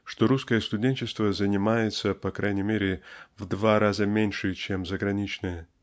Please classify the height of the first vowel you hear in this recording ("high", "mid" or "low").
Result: mid